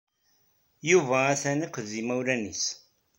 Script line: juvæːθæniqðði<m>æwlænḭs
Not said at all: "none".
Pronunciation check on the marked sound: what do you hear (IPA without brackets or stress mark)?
m